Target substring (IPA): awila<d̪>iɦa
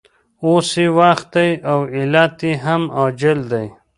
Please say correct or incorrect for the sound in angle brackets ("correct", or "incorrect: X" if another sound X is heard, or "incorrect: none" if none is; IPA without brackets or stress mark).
incorrect: t̪